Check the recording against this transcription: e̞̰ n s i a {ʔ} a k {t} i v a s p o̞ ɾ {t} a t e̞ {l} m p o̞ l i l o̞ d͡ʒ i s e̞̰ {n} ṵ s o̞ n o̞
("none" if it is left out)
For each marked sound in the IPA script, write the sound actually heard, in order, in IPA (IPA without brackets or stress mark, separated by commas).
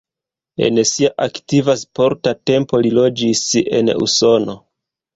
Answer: ʔ, t, t, none, n